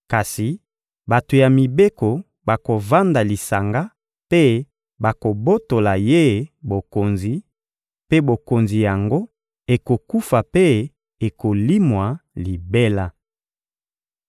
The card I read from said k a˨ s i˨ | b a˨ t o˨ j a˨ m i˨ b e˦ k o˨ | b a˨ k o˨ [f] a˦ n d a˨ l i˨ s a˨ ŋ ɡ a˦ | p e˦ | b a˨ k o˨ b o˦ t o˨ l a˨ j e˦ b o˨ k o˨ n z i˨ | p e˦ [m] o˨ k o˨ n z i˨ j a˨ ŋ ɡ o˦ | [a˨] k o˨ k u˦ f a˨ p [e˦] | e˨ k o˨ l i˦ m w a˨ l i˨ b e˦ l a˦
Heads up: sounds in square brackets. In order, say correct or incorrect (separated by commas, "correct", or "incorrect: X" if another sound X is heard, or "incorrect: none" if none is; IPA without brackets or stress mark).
incorrect: v, incorrect: b, incorrect: e˨, correct